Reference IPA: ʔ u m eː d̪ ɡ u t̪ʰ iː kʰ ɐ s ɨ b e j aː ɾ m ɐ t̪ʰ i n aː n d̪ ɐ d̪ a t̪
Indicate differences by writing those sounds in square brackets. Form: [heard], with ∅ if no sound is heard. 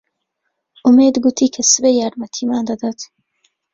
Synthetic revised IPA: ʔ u m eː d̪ ɡ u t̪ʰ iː kʰ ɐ s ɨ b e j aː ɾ m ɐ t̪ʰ i [m] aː n d̪ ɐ d̪ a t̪